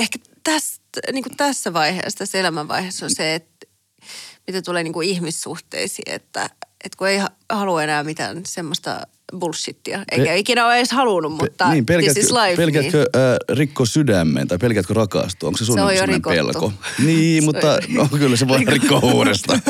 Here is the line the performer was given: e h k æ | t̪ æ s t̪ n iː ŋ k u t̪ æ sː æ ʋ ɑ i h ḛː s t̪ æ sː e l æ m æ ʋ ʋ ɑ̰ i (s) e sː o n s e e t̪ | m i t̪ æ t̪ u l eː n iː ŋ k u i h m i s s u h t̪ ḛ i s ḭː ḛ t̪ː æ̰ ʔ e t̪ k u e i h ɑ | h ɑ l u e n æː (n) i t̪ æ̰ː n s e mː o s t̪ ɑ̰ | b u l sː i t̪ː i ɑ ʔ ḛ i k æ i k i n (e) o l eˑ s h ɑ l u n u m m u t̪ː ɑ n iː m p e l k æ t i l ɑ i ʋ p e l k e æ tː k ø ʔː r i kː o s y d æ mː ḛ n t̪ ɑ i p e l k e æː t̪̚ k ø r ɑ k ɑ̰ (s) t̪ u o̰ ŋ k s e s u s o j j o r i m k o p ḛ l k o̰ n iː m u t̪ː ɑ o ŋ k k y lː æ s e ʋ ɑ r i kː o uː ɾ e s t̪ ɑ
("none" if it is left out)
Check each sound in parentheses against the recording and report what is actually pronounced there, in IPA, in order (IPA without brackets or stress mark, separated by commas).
h, m, æ, s